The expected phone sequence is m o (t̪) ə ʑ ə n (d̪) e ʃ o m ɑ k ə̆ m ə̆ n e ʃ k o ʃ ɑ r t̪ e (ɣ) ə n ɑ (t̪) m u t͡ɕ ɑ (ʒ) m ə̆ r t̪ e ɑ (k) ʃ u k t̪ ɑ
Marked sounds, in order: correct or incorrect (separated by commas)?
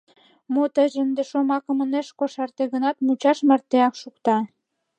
correct, correct, correct, correct, incorrect, correct